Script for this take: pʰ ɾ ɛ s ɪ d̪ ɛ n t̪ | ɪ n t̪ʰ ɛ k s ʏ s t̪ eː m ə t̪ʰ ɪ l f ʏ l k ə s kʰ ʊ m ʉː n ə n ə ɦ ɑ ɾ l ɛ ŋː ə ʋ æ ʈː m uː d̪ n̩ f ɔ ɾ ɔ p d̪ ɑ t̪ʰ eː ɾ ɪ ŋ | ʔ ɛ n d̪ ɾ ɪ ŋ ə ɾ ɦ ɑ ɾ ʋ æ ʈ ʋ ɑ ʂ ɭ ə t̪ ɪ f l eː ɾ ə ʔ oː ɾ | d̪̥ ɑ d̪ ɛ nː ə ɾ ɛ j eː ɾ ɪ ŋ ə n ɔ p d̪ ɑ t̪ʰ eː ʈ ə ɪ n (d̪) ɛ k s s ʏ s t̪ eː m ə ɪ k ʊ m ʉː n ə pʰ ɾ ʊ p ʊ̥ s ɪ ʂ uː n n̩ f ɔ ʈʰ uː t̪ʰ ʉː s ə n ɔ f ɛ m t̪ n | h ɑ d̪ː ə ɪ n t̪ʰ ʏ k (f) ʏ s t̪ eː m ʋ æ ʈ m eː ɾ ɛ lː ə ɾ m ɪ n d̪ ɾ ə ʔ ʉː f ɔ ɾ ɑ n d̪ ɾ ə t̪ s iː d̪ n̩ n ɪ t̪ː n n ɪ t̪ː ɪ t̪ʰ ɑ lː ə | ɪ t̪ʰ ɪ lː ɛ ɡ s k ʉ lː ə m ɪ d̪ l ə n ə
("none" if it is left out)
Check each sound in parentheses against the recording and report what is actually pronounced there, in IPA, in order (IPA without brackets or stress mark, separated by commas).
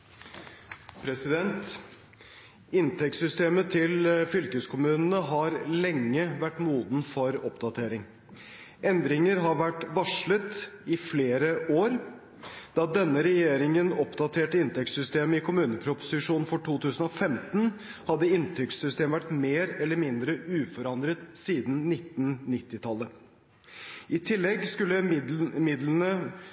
t̪, s